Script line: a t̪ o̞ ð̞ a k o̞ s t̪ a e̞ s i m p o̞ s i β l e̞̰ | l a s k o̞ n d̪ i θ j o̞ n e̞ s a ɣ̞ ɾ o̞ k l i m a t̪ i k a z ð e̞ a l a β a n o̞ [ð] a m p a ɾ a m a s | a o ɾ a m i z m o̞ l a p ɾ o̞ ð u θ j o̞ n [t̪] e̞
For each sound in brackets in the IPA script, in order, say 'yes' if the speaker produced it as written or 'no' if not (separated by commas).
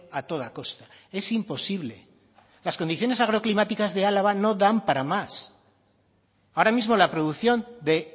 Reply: yes, no